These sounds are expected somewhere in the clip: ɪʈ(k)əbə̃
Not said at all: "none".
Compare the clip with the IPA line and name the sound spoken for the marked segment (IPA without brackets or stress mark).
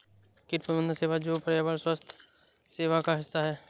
p